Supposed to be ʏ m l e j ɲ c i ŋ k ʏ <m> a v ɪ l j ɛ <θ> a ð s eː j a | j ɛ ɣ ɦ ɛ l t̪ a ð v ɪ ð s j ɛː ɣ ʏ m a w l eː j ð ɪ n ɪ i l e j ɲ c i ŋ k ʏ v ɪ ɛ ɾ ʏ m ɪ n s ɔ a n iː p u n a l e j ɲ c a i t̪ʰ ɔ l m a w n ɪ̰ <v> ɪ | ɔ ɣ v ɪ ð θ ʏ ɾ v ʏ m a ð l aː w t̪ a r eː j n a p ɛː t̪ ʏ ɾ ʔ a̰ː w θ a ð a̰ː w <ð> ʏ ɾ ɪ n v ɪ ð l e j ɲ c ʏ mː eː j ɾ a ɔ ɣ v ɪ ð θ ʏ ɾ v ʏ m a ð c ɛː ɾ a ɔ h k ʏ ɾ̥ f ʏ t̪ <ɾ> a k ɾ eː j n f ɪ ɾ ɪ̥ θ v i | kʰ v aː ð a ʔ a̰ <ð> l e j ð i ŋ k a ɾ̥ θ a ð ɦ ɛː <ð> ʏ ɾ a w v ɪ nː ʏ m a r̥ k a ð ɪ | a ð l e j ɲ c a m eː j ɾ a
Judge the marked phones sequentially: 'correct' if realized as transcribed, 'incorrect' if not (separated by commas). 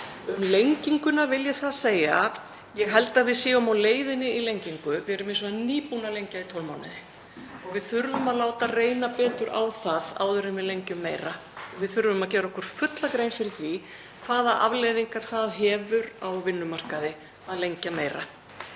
incorrect, correct, incorrect, correct, incorrect, incorrect, incorrect